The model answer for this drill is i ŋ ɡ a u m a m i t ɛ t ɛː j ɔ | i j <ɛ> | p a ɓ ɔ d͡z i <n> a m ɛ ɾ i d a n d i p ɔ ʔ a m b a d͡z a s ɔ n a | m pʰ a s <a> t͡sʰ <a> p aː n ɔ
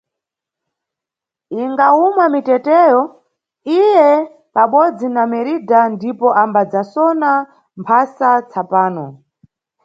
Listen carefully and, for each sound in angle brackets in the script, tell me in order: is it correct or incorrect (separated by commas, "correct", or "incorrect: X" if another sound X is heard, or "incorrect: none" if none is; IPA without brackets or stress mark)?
correct, correct, correct, correct